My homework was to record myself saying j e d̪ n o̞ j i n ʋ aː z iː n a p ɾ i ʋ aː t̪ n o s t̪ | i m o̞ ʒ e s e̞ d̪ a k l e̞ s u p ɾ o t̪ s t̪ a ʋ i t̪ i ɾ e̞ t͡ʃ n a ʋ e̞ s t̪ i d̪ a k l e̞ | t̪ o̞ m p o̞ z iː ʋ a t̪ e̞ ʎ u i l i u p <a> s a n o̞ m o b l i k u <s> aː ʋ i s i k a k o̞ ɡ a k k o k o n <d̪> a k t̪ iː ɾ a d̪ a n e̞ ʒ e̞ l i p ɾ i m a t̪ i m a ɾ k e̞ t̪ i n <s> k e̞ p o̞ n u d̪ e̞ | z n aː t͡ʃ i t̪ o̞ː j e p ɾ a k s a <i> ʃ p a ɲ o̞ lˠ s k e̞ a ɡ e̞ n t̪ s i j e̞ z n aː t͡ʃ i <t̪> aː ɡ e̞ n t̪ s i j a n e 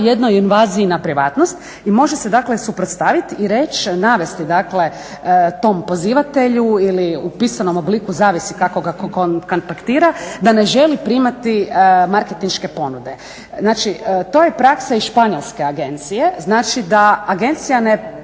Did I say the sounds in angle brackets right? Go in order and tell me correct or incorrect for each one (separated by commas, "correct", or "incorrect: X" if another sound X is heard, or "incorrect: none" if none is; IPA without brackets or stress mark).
incorrect: i, incorrect: z, incorrect: t̪, incorrect: ʃ, correct, incorrect: d̪